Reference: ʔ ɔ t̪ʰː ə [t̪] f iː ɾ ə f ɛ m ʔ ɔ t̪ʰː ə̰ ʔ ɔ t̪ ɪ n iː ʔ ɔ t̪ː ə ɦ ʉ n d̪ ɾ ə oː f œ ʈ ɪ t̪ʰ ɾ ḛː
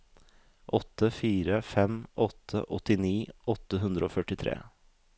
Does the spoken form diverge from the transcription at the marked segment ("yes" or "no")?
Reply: yes